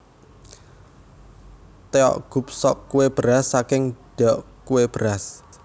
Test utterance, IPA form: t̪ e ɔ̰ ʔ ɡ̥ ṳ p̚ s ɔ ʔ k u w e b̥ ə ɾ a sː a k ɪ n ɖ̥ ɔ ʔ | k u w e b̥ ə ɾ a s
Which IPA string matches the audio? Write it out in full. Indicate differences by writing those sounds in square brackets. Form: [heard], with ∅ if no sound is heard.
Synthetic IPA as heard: t̪ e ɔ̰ ʔ ɡ̥ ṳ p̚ s ɔ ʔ k u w e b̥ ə ɾ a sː a k ɪ [ŋ] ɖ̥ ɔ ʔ | k u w e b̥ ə ɾ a s